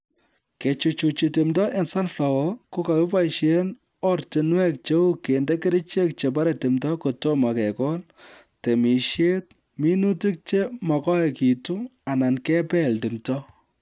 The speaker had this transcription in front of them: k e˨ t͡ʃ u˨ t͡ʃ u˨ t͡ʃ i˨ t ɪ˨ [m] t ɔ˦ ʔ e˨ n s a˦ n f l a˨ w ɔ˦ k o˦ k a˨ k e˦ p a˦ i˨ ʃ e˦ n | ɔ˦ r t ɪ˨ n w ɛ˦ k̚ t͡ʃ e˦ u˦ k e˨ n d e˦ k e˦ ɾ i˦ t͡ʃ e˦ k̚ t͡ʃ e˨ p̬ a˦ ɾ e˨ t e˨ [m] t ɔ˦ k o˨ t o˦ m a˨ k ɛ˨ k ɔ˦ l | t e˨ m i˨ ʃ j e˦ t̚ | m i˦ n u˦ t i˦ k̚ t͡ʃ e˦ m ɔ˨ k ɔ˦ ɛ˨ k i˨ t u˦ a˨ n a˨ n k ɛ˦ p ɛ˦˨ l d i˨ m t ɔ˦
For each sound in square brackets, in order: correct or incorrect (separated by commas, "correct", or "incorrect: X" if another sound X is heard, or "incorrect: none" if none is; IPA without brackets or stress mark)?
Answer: correct, correct